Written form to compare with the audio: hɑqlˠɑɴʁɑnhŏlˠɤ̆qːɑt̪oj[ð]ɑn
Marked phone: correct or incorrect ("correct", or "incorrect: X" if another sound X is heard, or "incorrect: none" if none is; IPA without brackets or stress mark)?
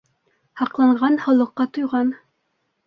incorrect: ʁ